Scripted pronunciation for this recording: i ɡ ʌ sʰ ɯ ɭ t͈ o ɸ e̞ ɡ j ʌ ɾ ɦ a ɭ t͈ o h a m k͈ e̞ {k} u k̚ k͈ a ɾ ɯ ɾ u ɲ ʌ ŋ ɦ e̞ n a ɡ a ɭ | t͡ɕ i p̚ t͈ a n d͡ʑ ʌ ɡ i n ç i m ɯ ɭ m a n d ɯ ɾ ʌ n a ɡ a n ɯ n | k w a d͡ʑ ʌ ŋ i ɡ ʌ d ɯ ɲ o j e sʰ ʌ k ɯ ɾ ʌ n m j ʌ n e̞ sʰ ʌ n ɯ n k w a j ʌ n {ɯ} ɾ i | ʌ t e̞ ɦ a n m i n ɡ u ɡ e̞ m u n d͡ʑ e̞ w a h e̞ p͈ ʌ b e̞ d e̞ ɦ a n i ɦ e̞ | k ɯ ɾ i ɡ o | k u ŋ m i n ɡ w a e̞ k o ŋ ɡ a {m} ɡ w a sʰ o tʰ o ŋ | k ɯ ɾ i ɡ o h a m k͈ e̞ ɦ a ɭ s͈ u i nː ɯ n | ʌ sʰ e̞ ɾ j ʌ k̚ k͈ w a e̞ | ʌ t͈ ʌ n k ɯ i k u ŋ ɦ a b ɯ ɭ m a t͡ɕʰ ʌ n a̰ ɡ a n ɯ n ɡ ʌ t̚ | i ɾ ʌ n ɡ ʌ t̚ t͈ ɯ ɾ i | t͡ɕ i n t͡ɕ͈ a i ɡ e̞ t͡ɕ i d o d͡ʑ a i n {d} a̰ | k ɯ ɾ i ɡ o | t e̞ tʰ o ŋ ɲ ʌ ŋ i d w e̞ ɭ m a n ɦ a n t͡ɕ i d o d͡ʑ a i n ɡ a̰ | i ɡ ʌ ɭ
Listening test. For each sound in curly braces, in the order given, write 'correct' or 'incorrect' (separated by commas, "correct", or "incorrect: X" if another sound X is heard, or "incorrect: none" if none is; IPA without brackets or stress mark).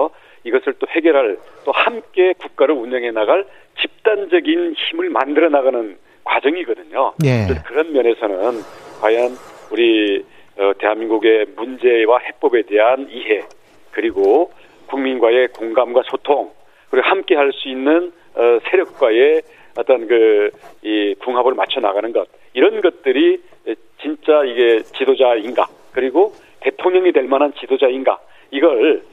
correct, incorrect: u, correct, incorrect: ɡ